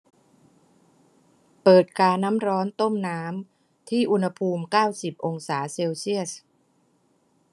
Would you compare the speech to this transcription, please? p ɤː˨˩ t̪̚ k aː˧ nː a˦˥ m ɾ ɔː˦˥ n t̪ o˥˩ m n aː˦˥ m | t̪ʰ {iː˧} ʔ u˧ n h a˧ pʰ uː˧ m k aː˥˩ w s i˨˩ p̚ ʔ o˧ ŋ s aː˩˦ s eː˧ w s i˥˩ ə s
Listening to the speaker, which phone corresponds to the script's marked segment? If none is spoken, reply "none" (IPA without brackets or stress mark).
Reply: iː˥˩